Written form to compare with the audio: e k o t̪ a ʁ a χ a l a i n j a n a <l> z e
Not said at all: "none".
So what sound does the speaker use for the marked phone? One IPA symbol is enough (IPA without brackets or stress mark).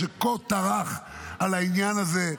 none